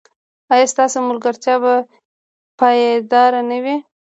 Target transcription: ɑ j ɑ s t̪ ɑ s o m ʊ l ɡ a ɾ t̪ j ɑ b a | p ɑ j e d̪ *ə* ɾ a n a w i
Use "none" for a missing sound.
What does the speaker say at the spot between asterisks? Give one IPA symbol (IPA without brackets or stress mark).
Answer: ɑ